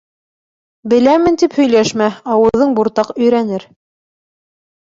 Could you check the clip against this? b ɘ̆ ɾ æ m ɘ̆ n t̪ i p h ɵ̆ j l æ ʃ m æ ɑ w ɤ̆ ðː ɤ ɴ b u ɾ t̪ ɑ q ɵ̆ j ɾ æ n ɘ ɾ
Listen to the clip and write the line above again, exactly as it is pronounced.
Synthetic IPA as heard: b ɘ̆ l æ m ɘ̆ n t̪ i p h ɵ̆ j l æ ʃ m æ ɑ w ɤ̆ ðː ɤ ɴ b u ɾ t̪ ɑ q ɵ̆ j ɾ æ n ɘ ɾ